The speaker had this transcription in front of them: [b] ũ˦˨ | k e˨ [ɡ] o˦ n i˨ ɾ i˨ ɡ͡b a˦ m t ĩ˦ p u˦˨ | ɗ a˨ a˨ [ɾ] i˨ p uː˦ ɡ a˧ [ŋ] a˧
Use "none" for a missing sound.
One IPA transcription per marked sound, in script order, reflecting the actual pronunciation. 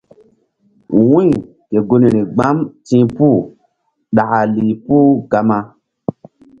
w, ɡ, l, m

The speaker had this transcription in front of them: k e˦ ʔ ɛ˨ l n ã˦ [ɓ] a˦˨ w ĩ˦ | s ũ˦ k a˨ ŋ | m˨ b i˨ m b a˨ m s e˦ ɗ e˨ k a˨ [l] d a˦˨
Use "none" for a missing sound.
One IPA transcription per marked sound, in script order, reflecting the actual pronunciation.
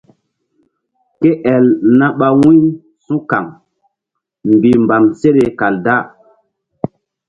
ɓ, l

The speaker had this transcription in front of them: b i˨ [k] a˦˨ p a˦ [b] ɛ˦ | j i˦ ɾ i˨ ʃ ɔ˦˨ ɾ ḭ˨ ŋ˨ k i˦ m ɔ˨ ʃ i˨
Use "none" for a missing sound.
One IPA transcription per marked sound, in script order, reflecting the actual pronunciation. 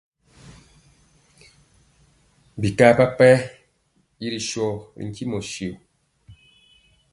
k, p

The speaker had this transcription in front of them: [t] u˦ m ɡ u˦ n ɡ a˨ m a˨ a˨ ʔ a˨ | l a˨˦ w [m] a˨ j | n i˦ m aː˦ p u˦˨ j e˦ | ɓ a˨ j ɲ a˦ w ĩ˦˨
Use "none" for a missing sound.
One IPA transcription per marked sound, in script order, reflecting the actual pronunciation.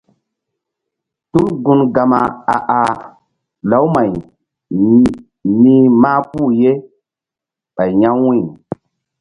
t, m

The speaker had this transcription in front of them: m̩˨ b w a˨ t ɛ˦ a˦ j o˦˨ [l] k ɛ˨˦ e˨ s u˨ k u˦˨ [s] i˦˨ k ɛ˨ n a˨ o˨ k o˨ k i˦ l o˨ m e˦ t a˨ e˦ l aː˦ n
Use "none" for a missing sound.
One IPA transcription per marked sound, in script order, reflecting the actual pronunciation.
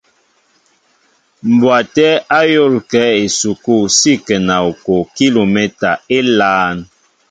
l, s

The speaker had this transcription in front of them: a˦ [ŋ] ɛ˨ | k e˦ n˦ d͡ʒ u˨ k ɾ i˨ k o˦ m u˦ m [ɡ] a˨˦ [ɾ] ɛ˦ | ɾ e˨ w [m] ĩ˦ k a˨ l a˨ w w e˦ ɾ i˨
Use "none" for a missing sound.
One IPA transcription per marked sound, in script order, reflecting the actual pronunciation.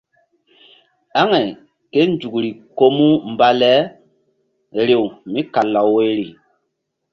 ŋ, b, l, m

